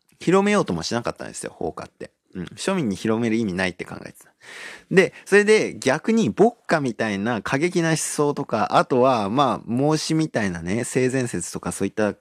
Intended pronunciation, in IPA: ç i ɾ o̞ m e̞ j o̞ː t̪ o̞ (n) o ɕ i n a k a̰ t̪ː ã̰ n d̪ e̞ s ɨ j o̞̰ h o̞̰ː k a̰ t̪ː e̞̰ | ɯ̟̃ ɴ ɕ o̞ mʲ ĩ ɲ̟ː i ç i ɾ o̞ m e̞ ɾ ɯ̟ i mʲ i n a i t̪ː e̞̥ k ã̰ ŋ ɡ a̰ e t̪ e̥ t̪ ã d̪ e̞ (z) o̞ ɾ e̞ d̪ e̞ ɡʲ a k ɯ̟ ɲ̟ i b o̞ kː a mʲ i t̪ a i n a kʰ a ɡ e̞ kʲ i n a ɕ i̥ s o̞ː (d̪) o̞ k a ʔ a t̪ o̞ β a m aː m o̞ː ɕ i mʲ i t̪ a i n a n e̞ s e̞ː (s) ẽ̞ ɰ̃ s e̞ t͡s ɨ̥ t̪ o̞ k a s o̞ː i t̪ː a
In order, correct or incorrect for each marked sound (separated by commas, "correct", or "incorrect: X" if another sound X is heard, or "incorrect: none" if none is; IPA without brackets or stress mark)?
incorrect: m, incorrect: s, incorrect: t̪, incorrect: z